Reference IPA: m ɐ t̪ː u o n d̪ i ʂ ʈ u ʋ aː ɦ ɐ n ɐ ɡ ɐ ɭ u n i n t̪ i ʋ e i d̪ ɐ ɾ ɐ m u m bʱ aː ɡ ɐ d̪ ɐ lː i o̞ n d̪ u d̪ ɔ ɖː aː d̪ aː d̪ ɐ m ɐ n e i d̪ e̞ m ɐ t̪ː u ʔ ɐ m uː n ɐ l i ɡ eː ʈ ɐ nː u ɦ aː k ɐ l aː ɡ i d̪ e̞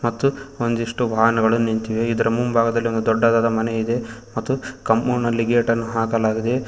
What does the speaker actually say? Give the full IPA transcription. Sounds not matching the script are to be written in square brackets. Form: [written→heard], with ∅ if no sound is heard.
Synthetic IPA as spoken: m ɐ t̪ː u o n d̪ i ʂ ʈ u ʋ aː ɦ ɐ n ɐ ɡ ɐ ɭ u n i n t̪ i ʋ e i d̪ ɐ ɾ ɐ m u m bʱ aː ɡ ɐ d̪ ɐ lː i o̞ n d̪ u d̪ ɔ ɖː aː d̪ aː d̪ ɐ m ɐ n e i d̪ e̞ m ɐ t̪ː u [ʔ→k] ɐ m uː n ɐ l i ɡ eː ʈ ɐ nː u ɦ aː k ɐ l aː ɡ i d̪ e̞